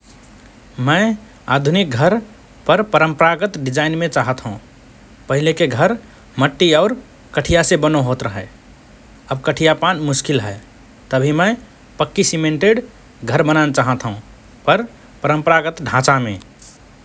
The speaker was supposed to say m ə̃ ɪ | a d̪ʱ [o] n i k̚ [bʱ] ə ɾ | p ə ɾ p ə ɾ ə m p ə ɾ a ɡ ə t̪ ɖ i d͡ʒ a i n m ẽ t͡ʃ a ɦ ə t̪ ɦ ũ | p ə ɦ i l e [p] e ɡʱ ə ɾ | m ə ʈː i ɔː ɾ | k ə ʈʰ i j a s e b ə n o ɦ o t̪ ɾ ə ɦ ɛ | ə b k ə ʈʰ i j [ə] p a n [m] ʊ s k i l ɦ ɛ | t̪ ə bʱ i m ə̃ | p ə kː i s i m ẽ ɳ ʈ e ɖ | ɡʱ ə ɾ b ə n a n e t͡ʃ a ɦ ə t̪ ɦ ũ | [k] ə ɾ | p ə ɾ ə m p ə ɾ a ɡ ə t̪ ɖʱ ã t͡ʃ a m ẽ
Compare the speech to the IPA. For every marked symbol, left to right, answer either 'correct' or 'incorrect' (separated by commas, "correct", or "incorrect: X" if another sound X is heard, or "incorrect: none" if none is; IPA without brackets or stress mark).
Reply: incorrect: u, incorrect: ɡʱ, incorrect: k, incorrect: a, correct, incorrect: p